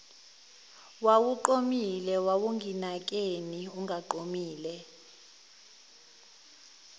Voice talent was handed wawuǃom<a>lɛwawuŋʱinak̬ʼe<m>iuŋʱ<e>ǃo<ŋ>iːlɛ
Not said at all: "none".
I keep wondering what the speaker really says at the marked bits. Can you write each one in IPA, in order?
i, n, a, m

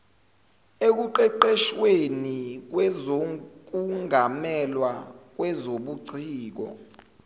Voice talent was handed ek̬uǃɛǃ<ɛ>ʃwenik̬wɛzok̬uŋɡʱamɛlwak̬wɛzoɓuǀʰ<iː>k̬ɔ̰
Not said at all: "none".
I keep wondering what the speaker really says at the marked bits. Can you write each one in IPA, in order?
ɛ, iː

